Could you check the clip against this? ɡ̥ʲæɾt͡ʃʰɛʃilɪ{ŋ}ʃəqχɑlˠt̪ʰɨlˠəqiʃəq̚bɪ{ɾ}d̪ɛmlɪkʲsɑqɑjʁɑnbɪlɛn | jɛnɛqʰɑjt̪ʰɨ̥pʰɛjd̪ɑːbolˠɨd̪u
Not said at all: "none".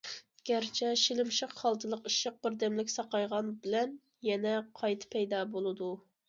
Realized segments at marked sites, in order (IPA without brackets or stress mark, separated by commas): m, ɾ